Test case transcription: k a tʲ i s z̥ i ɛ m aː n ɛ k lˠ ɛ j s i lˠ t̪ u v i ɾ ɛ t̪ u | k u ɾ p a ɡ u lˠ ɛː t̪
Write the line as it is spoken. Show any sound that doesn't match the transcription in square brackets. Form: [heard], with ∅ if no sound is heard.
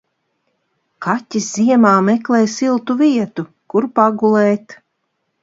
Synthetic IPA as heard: k a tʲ i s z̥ i ɛ m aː [m] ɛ k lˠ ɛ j s i lˠ t̪ u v i [∅] ɛ t̪ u | k u ɾ p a ɡ u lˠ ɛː t̪